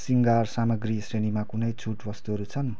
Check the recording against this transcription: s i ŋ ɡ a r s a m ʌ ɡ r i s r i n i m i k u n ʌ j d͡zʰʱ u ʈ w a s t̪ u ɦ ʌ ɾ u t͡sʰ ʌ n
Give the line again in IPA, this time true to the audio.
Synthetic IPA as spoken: s i ŋ ɡ a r s a m ʌ ɡ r i s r e n i m a k u n ʌ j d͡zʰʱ u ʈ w ʌ s t̪ u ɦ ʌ ɾ u t͡sʰ ʌ n